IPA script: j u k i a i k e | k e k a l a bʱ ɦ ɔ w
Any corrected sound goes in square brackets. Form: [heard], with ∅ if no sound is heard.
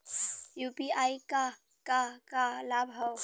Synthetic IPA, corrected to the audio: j u [p] i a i k [a] | k [a] k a l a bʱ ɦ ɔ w